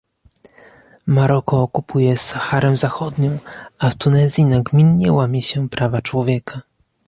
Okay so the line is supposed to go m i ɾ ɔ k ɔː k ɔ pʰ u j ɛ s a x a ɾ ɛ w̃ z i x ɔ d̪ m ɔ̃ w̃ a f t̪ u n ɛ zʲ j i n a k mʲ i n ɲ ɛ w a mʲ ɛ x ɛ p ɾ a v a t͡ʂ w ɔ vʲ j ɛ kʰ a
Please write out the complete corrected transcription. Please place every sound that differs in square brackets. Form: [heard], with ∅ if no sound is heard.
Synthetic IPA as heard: m [a] ɾ ɔ k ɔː k [u] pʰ u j ɛ s a x a ɾ ɛ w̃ z [a] x ɔ d̪ [ɲ] ɔ̃ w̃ a f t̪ u n ɛ zʲ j i n a [ɡ] mʲ i n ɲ ɛ w a mʲ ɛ [ɕ] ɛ p ɾ a v a t͡ʂ w ɔ vʲ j ɛ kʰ a